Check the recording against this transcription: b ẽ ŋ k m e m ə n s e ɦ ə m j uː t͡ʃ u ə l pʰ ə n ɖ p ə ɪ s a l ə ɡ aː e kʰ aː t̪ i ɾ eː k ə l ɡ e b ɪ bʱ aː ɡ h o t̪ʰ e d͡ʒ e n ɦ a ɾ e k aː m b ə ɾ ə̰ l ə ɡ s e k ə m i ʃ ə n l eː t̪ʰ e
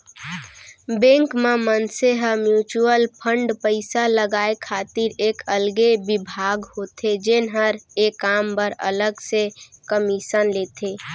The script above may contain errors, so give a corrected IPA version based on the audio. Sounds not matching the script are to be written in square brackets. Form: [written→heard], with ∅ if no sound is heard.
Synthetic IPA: b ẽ ŋ k m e m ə n s e ɦ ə m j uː t͡ʃ u ə l pʰ ə [n→ɳ] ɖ p ə ɪ s a l ə ɡ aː e kʰ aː t̪ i ɾ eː k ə l ɡ e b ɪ bʱ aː ɡ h o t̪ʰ e d͡ʒ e n ɦ [a→ə] ɾ e k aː m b ə ɾ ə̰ l ə ɡ s e k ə m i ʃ ə n l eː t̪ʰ e